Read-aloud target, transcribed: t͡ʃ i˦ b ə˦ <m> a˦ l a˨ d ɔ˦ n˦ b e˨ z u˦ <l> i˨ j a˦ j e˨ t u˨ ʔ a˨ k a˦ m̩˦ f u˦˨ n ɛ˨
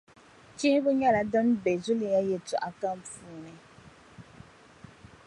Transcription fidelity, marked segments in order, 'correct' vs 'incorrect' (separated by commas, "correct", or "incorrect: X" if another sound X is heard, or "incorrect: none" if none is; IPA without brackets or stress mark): incorrect: ɲ, correct